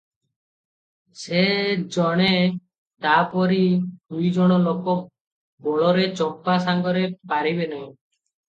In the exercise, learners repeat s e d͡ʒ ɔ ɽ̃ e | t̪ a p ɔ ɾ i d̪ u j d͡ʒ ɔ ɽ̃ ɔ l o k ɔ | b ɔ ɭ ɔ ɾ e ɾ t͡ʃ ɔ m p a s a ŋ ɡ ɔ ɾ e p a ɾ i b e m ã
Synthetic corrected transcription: s e d͡ʒ ɔ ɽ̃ e | t̪ a p ɔ ɾ i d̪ u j d͡ʒ ɔ ɽ̃ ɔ l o k ɔ | b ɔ ɭ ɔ ɾ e t͡ʃ ɔ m p a s a ŋ ɡ ɔ ɾ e p a ɾ i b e n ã